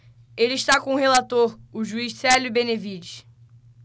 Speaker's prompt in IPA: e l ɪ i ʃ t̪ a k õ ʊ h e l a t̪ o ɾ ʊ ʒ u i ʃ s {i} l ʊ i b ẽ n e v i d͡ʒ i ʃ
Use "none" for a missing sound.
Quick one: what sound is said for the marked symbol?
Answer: ɛ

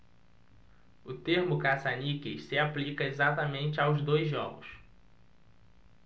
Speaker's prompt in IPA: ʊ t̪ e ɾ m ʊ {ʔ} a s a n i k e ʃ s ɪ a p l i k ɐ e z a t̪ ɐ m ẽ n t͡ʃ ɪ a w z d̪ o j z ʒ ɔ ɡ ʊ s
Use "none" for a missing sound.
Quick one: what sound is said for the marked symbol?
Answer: k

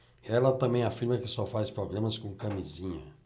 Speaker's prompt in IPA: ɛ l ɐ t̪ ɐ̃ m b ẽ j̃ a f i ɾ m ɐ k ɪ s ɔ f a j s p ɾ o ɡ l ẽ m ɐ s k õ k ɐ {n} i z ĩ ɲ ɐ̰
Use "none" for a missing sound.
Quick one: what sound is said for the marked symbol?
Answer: m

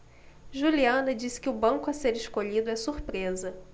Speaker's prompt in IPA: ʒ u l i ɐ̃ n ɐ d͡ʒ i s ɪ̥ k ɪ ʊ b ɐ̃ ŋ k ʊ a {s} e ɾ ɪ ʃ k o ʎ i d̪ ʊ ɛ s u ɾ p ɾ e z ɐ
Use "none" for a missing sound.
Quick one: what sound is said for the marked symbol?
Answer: s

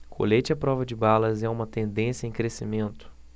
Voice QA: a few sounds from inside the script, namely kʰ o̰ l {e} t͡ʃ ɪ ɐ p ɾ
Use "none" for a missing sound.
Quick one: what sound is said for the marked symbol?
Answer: e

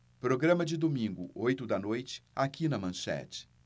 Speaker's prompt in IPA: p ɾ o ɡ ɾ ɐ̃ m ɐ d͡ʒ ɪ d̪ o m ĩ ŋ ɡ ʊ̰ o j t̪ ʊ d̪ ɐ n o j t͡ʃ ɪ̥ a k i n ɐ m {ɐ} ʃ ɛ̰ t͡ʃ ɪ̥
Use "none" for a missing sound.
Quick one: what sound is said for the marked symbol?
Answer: ɐ̃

